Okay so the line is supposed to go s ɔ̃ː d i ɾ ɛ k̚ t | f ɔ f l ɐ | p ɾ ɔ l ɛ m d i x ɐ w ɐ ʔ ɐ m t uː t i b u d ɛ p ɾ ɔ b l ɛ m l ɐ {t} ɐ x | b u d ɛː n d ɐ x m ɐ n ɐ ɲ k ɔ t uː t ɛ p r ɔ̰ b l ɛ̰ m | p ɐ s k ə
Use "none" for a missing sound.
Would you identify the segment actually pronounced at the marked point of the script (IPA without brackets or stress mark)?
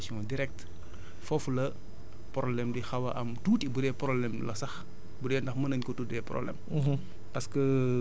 s